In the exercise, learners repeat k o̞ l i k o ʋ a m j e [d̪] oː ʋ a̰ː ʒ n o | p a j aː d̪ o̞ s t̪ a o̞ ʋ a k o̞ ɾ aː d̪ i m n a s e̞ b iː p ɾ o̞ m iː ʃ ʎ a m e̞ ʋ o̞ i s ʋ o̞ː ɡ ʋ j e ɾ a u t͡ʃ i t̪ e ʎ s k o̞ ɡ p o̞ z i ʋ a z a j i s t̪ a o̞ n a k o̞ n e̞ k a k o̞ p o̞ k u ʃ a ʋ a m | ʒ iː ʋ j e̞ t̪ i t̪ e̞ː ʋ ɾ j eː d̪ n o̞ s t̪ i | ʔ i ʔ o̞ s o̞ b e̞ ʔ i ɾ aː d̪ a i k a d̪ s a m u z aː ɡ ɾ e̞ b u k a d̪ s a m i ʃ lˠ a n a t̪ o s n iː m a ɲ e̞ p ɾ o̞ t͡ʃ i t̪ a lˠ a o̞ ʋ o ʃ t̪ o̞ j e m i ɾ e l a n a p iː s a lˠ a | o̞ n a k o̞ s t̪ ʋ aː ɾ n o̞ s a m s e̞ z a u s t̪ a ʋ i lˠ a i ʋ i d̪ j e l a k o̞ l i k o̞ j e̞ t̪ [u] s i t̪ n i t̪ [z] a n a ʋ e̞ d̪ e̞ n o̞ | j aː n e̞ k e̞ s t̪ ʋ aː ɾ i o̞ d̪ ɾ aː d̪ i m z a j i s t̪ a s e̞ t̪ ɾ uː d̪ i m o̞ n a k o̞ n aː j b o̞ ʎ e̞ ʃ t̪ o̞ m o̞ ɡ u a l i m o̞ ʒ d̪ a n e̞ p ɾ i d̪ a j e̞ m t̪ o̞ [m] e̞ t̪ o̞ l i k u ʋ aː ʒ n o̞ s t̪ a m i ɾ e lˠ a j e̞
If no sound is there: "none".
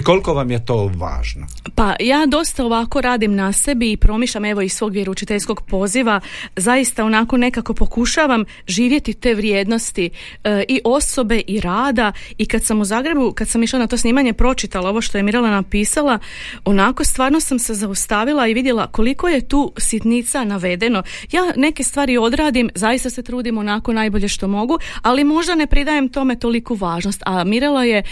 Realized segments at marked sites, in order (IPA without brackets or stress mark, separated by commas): t̪, uː, s, m